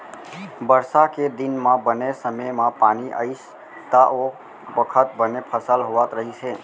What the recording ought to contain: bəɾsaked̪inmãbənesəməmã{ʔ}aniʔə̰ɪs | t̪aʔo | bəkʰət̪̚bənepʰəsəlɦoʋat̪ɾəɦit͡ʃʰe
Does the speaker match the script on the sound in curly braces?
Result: no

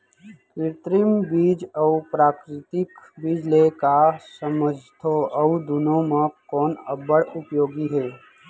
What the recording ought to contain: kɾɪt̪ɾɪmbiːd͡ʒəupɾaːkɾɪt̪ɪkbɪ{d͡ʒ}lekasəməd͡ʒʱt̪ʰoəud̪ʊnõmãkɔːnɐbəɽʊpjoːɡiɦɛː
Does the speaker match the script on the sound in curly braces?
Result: yes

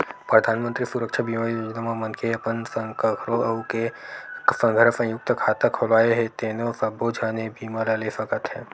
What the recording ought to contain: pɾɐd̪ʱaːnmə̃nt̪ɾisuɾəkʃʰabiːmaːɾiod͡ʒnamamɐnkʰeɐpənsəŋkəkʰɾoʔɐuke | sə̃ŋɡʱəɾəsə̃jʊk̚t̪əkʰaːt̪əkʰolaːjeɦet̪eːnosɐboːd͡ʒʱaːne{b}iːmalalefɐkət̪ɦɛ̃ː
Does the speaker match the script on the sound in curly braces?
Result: yes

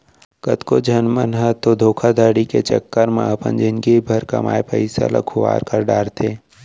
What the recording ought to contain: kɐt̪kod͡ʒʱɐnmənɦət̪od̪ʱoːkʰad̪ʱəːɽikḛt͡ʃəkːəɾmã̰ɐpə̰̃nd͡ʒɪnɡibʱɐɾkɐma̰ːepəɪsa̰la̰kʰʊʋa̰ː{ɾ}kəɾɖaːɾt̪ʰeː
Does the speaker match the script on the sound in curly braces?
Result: yes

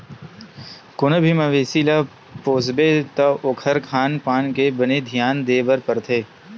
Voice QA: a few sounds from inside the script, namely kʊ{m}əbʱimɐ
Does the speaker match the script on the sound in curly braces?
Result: no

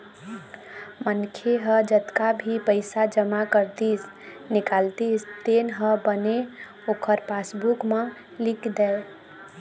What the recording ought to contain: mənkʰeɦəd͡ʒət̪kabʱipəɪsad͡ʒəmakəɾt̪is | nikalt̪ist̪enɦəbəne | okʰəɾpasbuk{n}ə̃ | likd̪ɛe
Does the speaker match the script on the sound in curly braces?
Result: no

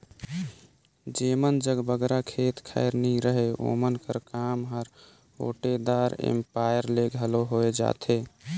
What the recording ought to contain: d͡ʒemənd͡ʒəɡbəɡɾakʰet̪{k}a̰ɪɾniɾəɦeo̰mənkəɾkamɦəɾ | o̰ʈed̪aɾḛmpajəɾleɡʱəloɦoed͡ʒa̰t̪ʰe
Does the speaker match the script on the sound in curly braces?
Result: no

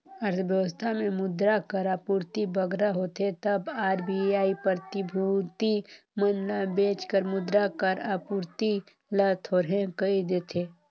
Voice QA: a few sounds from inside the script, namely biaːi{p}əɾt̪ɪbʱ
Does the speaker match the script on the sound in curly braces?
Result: yes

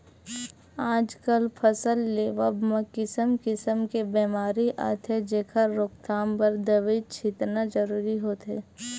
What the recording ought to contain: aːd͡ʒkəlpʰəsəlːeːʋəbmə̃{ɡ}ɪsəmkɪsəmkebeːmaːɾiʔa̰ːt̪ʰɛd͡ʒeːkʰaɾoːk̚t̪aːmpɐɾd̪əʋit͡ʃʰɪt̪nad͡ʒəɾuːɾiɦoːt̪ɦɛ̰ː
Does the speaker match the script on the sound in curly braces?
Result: no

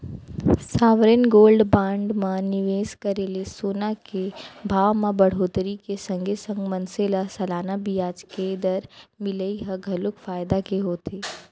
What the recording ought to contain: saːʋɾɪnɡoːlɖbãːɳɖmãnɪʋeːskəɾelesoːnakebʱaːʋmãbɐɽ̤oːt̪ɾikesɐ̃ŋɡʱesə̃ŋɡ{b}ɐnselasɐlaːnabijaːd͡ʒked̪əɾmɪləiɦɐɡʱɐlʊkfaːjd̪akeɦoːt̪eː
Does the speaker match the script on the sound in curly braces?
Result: no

